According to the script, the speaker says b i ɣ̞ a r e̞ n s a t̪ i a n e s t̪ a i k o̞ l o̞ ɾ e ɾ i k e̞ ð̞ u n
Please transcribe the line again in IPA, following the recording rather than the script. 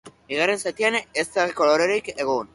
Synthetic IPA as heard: b i ɣ̞ a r e̞ n s a t̪ i a n e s t̪ a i k o̞ l o̞ ɾ e ɾ i k e̞ ɣ̞ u n